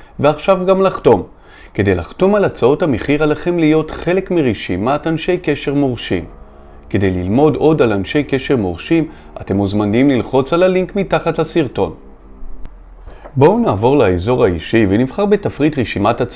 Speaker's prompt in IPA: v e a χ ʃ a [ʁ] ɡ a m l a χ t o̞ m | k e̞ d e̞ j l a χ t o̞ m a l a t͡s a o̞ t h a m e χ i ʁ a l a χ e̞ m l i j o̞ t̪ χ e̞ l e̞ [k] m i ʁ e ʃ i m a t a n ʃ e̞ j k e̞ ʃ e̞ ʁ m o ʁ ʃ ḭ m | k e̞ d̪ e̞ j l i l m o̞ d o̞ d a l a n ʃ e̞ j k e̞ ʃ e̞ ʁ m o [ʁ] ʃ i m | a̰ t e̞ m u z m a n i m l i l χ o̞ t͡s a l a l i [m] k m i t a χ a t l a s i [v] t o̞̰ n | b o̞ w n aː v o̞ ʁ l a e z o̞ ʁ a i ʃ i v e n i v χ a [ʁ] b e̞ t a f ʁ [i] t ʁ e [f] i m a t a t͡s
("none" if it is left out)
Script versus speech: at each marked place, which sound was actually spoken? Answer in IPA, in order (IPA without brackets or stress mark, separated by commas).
v, k, ʁ, ŋ, ʁ, ʁ, i, ʃ